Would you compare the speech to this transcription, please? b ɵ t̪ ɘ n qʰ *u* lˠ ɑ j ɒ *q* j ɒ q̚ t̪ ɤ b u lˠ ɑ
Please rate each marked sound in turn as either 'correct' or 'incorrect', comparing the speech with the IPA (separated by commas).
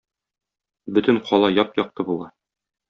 incorrect, incorrect